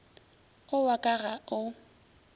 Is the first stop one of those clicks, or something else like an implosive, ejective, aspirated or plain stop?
ejective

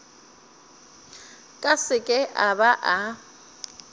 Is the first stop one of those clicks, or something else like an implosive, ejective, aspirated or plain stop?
ejective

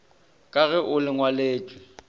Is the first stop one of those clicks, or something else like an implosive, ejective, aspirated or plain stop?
ejective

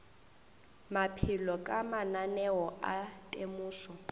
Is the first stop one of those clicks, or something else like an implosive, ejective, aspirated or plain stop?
aspirated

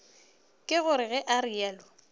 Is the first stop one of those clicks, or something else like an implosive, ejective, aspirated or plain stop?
ejective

